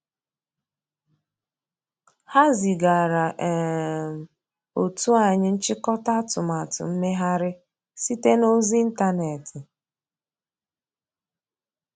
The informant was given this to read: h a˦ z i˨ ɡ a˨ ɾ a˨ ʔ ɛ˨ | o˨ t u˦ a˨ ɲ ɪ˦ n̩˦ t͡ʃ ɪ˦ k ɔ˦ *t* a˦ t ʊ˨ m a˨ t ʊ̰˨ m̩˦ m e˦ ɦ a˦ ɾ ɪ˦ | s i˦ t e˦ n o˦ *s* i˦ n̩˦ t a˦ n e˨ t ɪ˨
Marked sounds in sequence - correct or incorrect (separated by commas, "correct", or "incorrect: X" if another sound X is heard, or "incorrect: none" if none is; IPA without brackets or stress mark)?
correct, incorrect: z